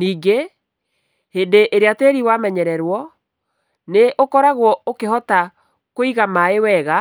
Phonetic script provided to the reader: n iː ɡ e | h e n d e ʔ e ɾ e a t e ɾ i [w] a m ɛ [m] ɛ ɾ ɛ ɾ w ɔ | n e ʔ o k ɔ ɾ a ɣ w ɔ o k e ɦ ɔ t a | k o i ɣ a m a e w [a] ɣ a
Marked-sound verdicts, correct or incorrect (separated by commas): correct, incorrect, incorrect